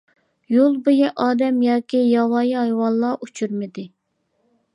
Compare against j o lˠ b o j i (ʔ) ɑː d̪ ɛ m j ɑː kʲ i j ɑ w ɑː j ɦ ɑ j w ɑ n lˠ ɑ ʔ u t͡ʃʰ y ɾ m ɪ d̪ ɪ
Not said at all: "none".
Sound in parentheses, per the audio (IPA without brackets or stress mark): ʔ